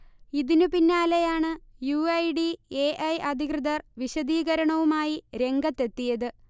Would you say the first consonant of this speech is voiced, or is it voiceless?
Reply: voiced